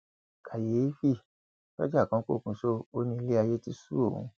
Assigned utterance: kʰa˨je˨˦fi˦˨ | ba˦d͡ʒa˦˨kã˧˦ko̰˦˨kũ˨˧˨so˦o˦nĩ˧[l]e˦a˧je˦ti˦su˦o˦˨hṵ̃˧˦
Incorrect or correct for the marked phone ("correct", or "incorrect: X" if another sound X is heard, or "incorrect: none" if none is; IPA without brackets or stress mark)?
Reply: correct